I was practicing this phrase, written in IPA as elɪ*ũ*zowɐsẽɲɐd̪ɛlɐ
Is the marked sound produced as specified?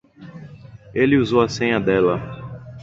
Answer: no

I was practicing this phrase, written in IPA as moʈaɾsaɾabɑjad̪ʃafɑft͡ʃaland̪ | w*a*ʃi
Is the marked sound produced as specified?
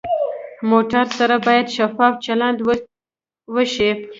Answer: no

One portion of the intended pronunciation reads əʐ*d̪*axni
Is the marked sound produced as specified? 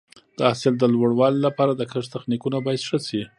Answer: no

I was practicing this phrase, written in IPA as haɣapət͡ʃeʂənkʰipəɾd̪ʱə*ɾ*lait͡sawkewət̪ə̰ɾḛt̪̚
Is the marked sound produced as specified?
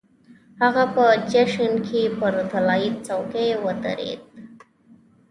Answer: no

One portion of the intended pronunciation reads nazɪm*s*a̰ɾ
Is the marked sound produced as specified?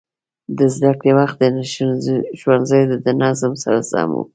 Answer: yes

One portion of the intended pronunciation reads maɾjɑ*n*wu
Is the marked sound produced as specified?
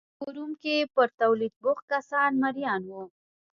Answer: yes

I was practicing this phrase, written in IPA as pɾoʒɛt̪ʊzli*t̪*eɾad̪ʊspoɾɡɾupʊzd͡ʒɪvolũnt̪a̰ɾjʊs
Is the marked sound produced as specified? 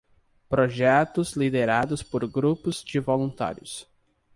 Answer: no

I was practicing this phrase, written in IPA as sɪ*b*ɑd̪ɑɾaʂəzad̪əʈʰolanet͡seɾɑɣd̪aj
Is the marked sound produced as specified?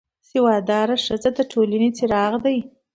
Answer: no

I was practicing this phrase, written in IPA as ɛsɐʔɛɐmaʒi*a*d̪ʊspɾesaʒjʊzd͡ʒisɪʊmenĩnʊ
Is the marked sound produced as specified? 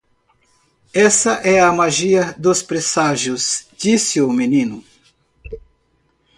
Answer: no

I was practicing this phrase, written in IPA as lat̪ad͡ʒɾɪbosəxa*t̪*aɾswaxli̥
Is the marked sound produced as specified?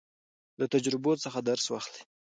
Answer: no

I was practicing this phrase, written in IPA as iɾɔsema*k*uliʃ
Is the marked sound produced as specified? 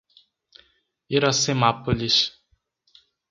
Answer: no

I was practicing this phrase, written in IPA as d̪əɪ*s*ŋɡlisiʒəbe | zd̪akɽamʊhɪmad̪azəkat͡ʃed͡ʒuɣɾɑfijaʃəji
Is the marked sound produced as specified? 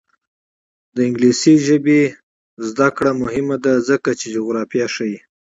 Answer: no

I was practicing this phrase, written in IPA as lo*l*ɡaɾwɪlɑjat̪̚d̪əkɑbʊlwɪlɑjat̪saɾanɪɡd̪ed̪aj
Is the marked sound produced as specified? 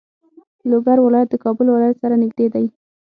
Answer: no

